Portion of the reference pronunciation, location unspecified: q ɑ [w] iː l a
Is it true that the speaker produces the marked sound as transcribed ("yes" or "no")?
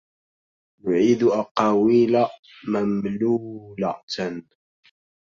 yes